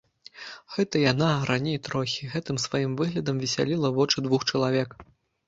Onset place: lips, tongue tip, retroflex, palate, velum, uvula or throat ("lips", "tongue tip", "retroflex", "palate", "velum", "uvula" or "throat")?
velum